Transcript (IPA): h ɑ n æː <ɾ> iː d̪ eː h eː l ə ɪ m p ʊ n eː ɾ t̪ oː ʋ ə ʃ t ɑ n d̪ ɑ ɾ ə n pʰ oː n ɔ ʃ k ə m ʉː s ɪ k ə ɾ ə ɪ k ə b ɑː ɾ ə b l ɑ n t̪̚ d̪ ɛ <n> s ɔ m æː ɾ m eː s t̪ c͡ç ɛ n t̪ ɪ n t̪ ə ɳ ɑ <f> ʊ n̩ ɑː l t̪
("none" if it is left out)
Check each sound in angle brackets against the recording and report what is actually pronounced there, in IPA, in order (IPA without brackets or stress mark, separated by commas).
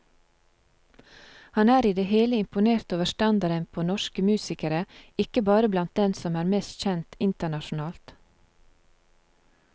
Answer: ɾ, n, ʃ